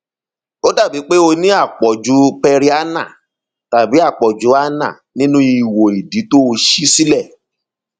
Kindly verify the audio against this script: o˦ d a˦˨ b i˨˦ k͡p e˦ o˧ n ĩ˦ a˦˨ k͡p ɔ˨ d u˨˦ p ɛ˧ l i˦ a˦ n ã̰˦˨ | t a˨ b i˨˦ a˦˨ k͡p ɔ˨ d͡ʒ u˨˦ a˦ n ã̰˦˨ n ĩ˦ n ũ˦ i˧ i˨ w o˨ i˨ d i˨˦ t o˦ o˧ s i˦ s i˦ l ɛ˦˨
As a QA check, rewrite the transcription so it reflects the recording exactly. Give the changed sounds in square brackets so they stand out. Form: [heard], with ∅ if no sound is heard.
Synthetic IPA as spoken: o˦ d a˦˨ b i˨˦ k͡p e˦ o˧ n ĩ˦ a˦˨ k͡p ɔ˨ [d͡ʒ] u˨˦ p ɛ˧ [ɾ] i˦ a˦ n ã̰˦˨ | t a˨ b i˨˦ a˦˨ k͡p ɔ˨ d͡ʒ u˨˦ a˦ n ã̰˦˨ n ĩ˦ n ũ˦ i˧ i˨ w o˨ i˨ d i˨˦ t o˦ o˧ [ʃ] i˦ s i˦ l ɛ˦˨